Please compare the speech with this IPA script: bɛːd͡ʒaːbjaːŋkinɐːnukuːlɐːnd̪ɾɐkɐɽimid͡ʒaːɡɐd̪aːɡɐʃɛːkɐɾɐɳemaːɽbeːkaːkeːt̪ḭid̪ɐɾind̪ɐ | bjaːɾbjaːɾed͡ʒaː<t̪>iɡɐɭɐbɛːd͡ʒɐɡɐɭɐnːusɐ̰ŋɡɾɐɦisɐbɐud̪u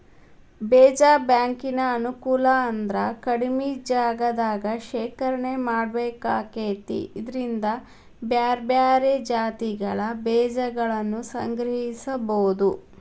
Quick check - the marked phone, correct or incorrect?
correct